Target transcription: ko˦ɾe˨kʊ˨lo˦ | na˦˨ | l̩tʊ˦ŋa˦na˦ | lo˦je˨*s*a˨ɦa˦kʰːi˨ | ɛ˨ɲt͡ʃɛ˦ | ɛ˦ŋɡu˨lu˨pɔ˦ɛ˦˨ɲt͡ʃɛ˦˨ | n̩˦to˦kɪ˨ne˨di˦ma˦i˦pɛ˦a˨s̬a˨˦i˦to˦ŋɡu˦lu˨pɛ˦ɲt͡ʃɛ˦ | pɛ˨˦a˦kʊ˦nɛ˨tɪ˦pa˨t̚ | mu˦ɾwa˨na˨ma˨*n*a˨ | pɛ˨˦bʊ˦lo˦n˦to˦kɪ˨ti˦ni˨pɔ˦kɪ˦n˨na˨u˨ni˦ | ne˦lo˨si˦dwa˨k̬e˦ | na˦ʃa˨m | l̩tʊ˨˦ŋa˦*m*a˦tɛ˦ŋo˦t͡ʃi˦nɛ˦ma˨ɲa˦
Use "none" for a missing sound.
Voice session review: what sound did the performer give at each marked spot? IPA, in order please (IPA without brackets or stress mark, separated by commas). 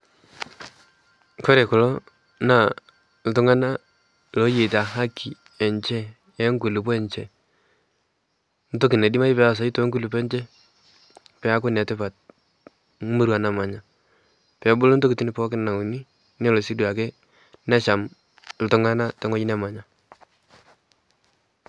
t, ɲ, n